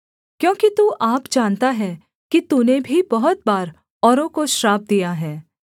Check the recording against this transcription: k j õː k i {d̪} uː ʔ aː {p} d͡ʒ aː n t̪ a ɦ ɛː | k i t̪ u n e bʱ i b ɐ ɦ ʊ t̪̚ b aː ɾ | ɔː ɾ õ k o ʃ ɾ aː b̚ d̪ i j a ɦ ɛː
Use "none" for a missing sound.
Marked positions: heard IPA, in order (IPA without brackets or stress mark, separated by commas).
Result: t̪, p